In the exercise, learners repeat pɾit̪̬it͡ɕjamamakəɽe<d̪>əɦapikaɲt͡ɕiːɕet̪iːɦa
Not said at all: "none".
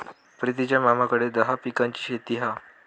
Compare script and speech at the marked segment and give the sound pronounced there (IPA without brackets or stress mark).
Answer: d̪